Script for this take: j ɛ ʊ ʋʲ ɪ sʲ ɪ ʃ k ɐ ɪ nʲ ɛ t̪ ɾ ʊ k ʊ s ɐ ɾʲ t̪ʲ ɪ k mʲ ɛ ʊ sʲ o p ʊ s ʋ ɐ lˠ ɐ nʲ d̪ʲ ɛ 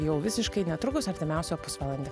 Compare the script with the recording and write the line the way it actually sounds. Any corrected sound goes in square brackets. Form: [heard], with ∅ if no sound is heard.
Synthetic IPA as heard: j ɛ ʊ ʋʲ ɪ sʲ ɪ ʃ k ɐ ɪ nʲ ɛ t̪ ɾ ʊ k ʊ s ɐ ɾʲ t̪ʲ ɪ [∅] mʲ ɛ ʊ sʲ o p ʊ s ʋ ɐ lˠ ɐ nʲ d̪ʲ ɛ